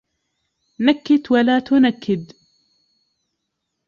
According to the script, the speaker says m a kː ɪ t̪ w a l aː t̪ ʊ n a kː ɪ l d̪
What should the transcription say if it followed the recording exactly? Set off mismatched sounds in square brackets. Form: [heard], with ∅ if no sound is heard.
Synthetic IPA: [n] a kː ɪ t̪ w a l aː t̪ ʊ n a kː ɪ [∅] d̪